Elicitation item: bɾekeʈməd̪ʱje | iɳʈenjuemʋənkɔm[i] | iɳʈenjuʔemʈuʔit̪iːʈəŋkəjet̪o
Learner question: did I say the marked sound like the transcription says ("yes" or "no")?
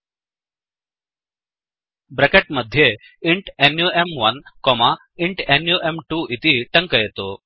no